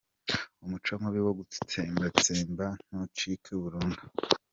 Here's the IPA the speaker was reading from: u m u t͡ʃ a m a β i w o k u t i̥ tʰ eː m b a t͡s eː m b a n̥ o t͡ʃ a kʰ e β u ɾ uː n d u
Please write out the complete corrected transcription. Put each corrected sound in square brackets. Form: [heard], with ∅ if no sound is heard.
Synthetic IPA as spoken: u m u t͡ʃ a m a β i w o [ɡ] u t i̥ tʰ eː m b a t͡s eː m b a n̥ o t͡ʃ [i] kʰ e β u ɾ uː n d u